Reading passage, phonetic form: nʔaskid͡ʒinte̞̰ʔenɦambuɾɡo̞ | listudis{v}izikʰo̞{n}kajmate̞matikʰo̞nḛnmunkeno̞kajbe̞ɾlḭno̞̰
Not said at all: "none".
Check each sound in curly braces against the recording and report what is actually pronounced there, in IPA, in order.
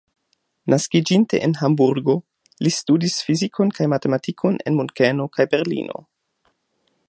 f, n

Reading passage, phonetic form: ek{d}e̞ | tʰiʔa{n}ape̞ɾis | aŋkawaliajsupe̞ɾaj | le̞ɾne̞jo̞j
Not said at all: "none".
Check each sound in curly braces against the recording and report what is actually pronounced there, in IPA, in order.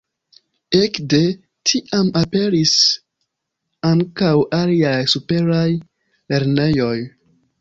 d, m

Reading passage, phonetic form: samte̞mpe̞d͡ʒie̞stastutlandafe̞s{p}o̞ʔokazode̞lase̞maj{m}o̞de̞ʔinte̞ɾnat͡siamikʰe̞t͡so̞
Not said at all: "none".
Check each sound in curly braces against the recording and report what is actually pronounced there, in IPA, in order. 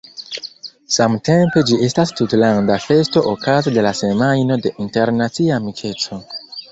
t, n

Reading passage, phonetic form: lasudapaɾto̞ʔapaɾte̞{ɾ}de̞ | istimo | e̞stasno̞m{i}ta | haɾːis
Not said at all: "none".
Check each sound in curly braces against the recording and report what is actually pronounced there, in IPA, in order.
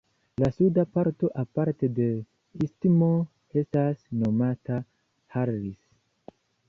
none, a

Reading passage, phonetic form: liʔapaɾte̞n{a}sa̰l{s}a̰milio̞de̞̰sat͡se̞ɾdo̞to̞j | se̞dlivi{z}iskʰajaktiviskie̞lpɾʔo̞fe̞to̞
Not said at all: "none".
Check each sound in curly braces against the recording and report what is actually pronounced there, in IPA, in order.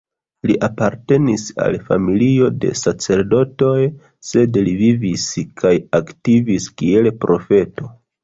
i, f, v

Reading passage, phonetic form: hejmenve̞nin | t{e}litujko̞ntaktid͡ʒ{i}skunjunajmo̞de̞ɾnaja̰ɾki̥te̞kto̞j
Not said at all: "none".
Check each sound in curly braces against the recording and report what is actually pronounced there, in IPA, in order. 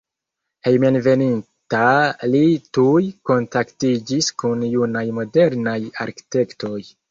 a, i

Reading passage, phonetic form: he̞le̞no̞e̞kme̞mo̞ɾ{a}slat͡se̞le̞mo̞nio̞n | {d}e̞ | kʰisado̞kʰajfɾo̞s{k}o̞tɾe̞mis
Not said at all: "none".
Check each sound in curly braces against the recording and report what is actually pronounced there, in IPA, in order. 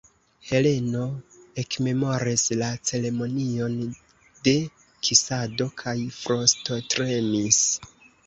i, d, t

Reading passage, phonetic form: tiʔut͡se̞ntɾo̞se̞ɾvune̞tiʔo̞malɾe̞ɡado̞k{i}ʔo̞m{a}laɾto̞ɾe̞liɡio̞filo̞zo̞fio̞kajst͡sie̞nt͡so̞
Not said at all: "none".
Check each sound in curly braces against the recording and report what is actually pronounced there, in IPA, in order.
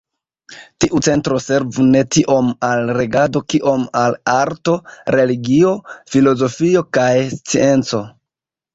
i, a

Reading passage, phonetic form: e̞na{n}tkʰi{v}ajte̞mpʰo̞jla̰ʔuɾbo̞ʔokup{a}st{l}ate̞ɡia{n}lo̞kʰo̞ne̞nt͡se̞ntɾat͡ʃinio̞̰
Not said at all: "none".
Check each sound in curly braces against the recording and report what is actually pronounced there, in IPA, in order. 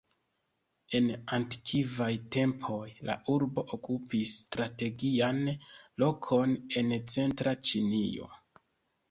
n, v, i, ɾ, n

